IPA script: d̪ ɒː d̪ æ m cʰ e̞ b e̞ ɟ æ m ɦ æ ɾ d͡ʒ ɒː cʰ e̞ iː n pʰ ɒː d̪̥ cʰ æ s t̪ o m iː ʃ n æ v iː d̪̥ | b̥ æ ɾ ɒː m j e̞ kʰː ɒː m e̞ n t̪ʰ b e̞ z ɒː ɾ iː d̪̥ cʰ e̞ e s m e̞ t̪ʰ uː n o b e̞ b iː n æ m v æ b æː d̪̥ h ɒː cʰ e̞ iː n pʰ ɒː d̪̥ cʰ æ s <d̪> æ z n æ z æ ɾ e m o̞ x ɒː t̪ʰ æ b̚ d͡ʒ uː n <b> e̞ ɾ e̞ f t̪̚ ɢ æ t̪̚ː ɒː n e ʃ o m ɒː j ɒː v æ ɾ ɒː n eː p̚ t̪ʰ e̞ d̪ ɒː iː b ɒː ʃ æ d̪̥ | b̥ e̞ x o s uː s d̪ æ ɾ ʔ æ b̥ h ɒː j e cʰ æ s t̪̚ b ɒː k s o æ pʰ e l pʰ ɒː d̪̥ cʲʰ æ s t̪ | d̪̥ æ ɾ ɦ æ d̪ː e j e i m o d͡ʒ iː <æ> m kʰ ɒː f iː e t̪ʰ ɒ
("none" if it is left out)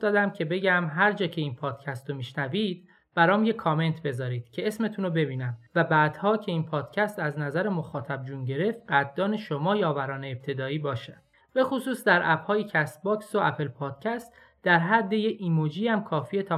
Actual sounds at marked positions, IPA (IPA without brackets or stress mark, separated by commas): t̪, ɟ, æ